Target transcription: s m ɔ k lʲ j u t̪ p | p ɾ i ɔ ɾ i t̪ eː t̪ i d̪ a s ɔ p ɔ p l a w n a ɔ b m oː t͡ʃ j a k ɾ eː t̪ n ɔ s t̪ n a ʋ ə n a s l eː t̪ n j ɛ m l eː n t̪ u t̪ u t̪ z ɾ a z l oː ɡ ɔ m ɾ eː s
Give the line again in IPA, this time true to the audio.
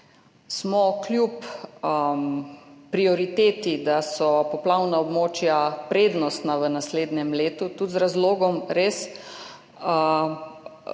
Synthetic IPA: s m ɔ k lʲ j u p | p ɾ i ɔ ɾ i t̪ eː t̪ i d̪ a s ɔ p ɔ p l a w n a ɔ b m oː t͡ʃ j a p ɾ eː d̪ n ɔ s t̪ n a ʋ ə n a s l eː d̪ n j ɛ m l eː t̪ u t̪ u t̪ z ɾ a z l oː ɡ ɔ m ɾ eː s